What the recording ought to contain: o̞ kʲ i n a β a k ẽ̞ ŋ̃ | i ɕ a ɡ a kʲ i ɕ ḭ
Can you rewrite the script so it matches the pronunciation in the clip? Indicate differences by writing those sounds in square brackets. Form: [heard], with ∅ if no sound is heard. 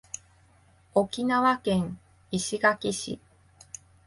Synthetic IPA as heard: o̞ kʲ i n a β a k ẽ̞ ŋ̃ | i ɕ [i] ɡ a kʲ i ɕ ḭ